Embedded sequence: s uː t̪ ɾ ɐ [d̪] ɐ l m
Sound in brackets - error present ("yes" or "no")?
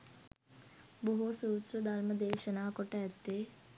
no